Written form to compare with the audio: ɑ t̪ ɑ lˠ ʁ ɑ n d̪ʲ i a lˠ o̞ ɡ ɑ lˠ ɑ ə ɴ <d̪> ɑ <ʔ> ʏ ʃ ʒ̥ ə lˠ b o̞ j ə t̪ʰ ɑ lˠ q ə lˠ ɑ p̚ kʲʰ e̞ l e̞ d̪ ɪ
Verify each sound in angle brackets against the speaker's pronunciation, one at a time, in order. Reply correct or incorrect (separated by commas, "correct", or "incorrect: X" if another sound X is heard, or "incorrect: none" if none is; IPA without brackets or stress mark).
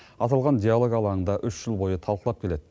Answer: correct, correct